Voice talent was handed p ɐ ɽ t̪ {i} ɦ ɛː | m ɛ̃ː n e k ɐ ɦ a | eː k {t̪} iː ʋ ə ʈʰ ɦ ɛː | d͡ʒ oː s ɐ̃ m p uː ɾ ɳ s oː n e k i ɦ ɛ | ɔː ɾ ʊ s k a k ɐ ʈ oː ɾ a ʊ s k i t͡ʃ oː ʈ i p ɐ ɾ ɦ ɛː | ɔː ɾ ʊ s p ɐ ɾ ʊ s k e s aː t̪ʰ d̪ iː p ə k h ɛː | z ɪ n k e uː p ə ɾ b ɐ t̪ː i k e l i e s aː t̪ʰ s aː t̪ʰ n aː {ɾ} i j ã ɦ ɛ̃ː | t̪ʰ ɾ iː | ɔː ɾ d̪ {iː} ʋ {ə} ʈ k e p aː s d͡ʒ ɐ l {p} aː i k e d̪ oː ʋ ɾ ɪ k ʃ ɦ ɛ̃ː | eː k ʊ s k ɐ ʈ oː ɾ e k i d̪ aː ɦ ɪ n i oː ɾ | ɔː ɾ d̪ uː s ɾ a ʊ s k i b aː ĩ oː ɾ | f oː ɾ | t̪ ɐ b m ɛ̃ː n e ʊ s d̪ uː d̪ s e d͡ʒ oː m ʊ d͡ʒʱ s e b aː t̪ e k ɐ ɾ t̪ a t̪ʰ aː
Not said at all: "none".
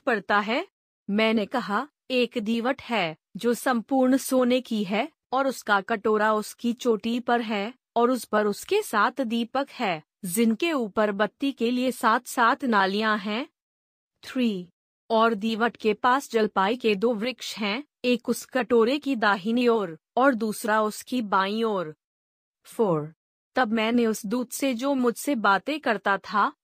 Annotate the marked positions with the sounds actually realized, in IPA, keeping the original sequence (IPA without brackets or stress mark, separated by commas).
a, d̪, l, iː, ə, p